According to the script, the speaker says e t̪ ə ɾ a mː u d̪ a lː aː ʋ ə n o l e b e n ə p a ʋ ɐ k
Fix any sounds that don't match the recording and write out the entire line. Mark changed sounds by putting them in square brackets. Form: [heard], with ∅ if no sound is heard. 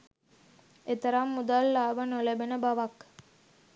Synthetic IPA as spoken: e t̪ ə ɾ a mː u d̪ a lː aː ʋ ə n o l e b e n ə [b] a ʋ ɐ k